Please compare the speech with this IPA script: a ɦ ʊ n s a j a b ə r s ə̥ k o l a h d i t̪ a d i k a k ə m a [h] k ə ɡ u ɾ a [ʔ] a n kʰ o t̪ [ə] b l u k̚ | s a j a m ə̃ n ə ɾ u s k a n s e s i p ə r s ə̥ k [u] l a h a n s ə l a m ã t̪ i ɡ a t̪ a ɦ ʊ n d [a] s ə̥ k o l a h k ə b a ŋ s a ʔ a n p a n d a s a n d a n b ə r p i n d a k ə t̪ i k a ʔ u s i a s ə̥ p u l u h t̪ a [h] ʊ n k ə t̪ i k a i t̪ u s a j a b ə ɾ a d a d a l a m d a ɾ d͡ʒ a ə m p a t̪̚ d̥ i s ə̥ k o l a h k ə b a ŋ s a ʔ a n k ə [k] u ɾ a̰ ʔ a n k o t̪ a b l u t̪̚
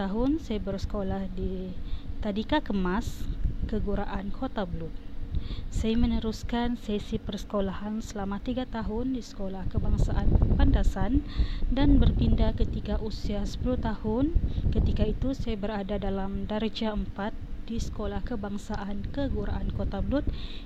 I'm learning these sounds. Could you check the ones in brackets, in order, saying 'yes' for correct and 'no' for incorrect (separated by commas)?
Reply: no, yes, no, no, no, yes, no